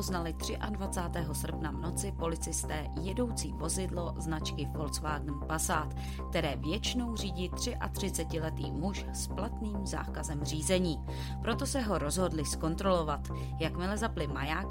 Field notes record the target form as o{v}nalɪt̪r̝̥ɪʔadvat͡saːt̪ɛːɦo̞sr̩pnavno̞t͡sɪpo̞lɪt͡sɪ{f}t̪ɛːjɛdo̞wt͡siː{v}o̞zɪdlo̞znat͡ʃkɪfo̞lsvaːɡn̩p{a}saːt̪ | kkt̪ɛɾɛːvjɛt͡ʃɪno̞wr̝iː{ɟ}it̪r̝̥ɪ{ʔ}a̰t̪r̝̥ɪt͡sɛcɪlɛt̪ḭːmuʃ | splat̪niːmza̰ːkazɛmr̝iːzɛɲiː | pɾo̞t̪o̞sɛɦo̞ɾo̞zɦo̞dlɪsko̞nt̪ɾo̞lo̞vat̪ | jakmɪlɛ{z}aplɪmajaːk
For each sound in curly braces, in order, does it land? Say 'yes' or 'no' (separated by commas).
no, no, yes, yes, yes, yes, yes